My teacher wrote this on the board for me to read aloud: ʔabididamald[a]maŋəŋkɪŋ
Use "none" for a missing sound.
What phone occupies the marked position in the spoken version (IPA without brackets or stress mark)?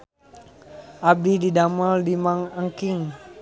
i